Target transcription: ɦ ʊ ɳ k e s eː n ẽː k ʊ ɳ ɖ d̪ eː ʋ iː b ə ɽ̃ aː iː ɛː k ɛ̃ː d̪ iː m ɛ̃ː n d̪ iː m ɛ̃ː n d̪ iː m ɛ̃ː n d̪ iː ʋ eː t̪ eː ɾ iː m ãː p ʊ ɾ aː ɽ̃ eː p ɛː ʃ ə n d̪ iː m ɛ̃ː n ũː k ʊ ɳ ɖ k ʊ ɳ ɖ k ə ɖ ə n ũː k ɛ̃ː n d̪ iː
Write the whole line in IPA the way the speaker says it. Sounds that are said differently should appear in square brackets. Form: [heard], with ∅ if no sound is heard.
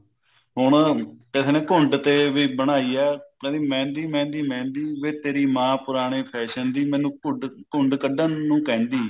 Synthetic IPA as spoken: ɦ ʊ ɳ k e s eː n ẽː k ʊ ɳ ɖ [t̪] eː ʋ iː b ə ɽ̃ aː iː ɛː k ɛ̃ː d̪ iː m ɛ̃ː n d̪ iː m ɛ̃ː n d̪ iː m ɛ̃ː n d̪ iː ʋ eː t̪ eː ɾ iː m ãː p ʊ ɾ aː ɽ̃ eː [pʰ] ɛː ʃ ə n d̪ iː m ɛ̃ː n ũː k ʊ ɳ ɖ k ʊ ɳ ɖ k ə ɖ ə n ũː k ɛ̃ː n d̪ iː